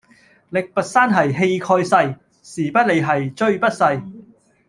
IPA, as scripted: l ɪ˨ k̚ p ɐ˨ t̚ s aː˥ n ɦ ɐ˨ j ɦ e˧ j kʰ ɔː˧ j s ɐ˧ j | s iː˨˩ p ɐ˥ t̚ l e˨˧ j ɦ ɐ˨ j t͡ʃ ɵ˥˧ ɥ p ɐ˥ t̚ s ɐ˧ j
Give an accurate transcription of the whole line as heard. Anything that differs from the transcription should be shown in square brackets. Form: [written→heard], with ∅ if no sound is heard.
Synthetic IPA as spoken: l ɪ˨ k̚ p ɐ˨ t̚ s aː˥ n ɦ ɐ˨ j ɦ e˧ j kʰ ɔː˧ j s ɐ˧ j | s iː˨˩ p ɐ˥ t̚ l e˨˧ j ɦ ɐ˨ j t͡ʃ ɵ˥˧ ɥ p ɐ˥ t̚ s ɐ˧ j